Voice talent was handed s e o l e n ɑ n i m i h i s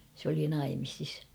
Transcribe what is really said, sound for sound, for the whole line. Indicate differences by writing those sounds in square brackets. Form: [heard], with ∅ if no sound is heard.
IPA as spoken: s e o l [i] n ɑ [∅] i m i [s] i s